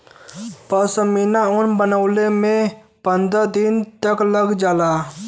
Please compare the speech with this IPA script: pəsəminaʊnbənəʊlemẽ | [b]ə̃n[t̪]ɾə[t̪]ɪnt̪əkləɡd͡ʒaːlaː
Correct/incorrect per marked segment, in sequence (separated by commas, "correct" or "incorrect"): incorrect, incorrect, incorrect